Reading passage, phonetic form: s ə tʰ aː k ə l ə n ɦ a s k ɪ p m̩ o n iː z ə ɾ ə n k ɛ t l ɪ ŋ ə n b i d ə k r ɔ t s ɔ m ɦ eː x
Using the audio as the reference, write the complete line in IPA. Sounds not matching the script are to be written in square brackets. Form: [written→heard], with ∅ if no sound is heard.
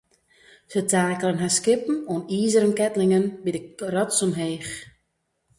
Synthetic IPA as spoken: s ə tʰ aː k ə l ə n ɦ a s k ɪ p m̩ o n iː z ə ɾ ə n k ɛ t l ɪ ŋ ə n b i d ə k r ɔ t s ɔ m ɦ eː x